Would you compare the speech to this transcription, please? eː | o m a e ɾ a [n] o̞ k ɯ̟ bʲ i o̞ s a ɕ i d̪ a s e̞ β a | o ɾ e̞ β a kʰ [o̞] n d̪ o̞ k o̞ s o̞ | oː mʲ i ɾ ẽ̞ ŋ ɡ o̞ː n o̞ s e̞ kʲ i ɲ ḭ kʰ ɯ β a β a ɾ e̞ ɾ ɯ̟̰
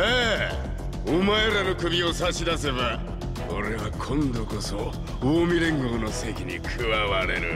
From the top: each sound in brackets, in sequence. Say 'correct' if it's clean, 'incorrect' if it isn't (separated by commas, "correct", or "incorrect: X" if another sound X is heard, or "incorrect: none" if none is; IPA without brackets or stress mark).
correct, incorrect: õ̞